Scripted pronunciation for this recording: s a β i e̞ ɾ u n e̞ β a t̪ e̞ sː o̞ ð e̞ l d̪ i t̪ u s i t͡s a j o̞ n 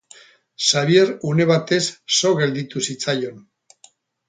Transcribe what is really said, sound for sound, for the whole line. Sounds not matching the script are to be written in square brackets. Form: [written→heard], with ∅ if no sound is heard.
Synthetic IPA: s a β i e̞ ɾ u n e̞ β a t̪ e̞ sː o̞ [ð→ɣ] e̞ l d̪ i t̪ u s i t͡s a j o̞ n